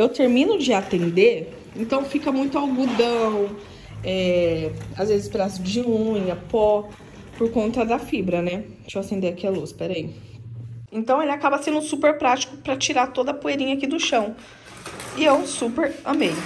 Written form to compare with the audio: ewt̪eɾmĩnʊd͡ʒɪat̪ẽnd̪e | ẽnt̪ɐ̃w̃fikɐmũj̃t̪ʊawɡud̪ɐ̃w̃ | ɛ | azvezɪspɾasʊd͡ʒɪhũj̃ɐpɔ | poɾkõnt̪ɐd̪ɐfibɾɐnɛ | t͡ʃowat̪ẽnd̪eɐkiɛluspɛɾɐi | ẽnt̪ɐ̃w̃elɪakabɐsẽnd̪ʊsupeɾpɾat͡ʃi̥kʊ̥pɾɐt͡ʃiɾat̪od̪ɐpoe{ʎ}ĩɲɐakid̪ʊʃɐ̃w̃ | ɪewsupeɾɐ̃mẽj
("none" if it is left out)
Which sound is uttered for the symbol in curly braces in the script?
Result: ɾ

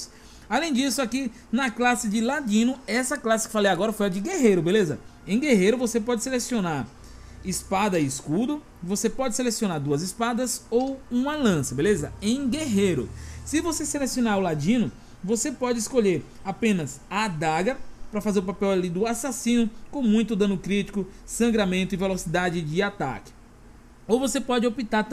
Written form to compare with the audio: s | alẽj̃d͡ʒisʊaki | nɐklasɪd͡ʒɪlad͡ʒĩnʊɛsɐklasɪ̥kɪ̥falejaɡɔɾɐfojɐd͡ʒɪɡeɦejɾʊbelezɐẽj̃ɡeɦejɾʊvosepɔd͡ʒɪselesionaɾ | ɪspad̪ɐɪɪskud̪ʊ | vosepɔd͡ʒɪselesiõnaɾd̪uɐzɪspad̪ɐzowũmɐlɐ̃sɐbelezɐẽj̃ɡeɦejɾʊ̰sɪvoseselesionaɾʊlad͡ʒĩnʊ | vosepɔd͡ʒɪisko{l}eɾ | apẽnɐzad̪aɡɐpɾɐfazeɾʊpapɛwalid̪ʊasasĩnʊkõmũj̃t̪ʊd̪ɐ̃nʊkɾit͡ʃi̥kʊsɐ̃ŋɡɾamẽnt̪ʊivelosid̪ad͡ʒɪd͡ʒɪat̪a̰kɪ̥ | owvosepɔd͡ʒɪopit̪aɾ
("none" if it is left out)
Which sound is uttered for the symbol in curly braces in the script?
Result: ʎ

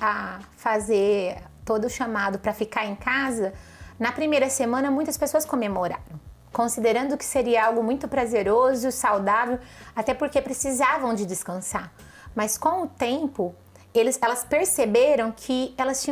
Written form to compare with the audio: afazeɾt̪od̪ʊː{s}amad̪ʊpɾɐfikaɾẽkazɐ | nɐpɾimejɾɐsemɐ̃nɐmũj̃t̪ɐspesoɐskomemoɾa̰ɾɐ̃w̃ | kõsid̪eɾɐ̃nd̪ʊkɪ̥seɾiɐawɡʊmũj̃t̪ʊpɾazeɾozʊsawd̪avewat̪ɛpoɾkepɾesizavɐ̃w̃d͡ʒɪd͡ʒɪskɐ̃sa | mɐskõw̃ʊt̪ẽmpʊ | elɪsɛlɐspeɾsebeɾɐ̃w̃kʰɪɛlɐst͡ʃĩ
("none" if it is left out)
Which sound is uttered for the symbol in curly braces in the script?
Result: ʃ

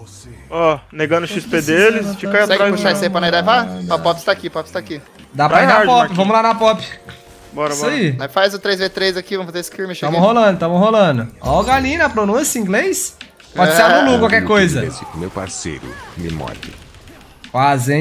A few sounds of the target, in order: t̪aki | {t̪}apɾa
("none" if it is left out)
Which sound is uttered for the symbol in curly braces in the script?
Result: d̪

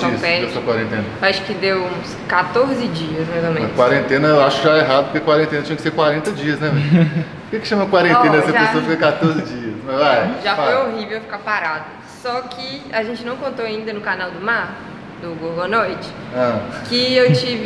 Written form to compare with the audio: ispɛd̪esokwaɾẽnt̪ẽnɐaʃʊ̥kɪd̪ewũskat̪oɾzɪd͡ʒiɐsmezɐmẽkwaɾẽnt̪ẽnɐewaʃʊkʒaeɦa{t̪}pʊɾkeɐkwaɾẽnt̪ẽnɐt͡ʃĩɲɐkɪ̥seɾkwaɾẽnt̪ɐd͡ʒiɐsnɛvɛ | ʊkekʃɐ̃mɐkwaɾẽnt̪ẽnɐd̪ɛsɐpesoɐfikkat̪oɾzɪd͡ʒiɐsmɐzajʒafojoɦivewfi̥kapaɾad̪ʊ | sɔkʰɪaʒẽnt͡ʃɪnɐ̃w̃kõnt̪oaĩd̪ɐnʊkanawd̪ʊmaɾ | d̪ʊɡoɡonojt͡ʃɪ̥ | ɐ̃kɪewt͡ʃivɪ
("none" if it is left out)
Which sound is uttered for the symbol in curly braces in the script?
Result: d̪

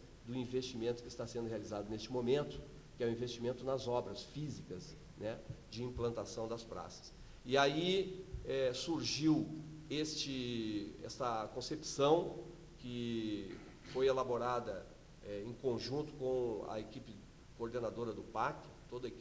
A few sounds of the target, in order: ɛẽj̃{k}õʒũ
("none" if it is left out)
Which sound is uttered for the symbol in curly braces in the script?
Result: k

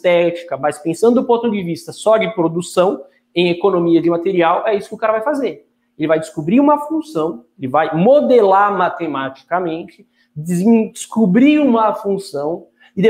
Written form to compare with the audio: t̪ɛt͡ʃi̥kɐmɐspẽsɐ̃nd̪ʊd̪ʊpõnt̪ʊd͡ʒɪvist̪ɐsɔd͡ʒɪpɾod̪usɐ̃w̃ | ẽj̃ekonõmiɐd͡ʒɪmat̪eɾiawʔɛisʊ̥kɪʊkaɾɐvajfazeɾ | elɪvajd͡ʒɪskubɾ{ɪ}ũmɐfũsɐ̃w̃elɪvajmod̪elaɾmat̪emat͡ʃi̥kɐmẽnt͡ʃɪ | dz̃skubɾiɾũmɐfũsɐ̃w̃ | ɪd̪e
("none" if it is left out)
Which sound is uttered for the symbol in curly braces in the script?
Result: i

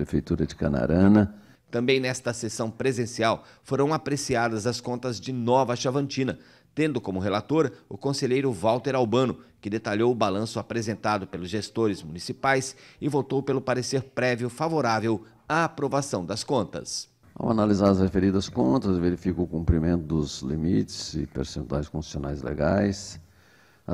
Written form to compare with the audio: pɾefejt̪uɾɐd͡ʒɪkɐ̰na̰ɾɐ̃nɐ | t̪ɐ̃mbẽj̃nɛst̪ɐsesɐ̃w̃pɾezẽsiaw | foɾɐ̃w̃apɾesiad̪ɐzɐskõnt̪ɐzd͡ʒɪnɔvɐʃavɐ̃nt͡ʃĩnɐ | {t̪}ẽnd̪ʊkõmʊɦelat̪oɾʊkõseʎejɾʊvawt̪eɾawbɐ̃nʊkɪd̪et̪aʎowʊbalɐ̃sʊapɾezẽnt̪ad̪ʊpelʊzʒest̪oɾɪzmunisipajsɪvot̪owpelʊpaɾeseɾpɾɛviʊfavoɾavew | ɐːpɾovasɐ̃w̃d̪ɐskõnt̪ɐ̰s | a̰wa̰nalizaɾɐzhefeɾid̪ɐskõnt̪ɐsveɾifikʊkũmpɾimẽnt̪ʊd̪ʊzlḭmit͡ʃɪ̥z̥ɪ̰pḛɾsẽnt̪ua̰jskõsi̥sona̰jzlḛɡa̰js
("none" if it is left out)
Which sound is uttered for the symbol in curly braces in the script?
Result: t̪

